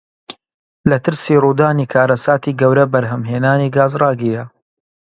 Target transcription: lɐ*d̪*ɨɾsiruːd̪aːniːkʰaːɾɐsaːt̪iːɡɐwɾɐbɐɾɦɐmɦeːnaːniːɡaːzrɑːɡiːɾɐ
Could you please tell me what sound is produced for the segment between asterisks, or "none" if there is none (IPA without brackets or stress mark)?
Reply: t̪